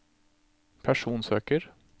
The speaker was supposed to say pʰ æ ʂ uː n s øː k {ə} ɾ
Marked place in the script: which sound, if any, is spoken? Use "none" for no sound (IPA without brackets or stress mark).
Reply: ə